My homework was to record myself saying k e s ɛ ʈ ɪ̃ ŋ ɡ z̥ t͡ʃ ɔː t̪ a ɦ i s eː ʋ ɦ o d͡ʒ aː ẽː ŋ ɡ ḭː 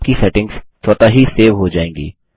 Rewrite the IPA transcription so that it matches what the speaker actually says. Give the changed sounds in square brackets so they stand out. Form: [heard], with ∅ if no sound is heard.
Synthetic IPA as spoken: k [i] s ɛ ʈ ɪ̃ ŋ ɡ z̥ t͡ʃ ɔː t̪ a ɦ i s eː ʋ ɦ o d͡ʒ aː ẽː ŋ ɡ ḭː